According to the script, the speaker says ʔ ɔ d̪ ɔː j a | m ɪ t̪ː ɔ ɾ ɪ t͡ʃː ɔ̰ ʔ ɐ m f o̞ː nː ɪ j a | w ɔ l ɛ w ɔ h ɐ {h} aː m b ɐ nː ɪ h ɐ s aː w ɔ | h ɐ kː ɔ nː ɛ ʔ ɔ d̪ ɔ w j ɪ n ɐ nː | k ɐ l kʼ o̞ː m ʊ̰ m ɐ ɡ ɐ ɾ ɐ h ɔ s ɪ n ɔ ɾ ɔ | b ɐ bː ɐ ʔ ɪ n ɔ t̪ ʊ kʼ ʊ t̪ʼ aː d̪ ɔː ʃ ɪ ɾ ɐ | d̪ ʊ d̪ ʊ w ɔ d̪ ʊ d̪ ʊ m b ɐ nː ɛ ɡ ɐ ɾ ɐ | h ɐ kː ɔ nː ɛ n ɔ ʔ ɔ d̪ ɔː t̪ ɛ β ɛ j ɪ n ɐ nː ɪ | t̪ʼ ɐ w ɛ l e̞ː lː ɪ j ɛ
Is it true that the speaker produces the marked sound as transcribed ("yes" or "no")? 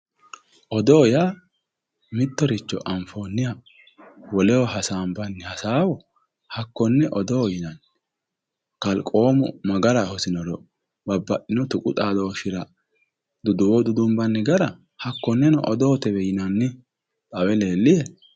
no